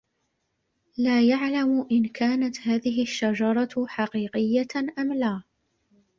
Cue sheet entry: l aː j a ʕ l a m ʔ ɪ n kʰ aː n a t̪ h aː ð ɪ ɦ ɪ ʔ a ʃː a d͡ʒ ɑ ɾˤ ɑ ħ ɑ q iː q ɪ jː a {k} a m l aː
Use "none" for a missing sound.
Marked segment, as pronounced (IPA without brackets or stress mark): ʔ